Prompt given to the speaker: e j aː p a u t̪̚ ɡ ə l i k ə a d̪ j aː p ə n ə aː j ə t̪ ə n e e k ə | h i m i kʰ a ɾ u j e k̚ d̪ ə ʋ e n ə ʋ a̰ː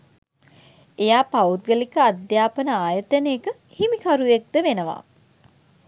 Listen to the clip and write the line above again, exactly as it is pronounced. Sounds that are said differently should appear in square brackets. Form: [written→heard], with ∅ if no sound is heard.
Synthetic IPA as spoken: e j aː p a u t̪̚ ɡ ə l i k ə a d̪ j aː p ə n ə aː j ə t̪ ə n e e k ə | h i m i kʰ a ɾ u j e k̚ d̪ ə ʋ e n ə ʋ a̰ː